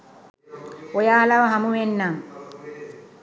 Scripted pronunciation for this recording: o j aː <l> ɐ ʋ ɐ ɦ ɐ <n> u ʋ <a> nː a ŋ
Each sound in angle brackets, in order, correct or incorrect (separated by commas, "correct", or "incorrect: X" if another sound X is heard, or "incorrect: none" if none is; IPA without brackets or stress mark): correct, incorrect: m, incorrect: e